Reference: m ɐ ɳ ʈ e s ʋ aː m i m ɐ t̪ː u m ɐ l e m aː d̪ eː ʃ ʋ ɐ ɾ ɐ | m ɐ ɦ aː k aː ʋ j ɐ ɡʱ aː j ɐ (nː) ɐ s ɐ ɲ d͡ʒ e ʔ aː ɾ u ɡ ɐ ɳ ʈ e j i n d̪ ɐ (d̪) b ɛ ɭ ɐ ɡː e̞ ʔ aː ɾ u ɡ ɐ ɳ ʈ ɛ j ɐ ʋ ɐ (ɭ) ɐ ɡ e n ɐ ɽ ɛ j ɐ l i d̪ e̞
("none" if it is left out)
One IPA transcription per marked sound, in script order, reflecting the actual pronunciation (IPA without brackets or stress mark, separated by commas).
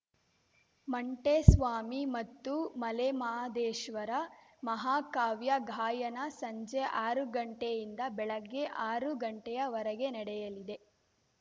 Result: n, none, ɾ